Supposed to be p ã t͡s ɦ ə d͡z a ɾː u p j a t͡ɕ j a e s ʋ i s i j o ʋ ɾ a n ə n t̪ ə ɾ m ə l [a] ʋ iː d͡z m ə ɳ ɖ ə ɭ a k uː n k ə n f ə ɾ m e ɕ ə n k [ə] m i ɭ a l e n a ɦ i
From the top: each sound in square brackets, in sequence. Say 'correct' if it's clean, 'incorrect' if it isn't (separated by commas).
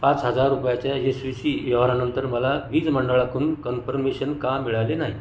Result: correct, incorrect